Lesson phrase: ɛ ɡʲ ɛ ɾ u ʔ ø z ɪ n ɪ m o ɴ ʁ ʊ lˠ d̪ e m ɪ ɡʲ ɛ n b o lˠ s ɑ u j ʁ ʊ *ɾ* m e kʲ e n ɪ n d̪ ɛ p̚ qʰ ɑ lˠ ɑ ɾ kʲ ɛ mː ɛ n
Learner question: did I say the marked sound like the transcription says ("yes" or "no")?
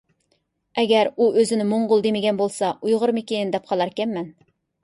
yes